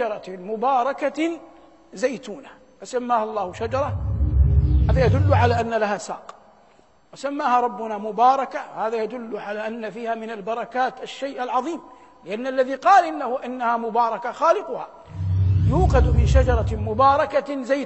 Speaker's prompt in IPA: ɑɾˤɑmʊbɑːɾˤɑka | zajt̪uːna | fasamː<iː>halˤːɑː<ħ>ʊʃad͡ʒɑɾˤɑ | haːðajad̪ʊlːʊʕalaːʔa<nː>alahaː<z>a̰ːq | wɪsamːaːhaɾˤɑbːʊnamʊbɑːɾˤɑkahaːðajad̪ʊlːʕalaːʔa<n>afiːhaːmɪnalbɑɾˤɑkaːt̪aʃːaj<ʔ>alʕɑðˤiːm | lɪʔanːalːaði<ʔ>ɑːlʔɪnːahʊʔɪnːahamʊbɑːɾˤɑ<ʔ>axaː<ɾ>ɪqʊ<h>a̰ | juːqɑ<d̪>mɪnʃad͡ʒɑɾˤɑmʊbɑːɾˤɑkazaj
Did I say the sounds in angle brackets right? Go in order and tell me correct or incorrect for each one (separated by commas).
incorrect, incorrect, correct, incorrect, incorrect, correct, incorrect, incorrect, incorrect, correct, correct